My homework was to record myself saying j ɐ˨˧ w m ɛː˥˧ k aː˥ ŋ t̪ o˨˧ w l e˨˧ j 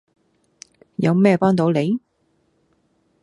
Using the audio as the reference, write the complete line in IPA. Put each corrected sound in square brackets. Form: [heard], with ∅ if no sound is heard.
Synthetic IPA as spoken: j ɐ˨˧ w m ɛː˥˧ [p] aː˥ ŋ t̪ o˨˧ w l e˨˧ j